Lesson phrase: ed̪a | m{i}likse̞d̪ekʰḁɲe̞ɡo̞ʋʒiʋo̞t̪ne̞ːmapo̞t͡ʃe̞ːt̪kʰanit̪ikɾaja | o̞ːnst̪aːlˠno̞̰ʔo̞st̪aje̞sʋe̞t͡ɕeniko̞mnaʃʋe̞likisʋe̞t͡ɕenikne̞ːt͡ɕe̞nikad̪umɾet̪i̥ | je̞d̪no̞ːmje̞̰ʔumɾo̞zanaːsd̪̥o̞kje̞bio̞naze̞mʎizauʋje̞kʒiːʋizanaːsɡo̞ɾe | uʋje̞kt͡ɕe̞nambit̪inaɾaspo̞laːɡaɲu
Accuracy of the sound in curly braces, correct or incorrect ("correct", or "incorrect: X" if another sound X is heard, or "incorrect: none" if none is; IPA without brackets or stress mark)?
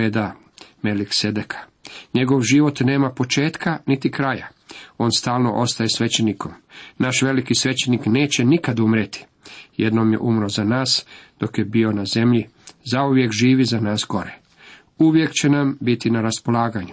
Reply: incorrect: e